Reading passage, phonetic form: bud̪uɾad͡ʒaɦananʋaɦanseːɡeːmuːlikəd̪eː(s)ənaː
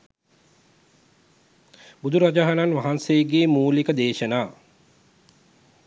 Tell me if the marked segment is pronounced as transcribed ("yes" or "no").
no